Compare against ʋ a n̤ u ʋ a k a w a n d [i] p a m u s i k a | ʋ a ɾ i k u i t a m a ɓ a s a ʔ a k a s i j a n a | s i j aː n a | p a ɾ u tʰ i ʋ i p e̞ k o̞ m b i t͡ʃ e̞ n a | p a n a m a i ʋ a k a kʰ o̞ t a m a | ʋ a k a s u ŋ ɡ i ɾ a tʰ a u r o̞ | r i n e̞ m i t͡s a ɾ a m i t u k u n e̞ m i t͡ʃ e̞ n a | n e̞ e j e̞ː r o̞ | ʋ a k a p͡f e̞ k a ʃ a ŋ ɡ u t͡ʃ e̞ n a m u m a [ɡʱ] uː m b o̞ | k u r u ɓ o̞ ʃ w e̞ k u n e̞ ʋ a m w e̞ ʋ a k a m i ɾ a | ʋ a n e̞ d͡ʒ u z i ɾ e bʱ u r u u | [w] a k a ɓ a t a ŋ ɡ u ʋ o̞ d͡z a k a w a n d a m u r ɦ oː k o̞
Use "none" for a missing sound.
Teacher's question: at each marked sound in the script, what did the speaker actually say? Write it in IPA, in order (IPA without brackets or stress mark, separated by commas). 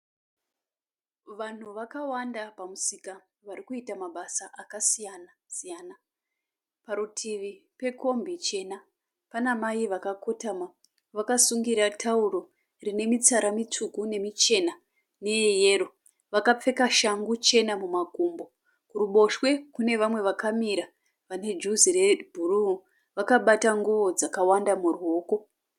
a, ɡʱ, ʋ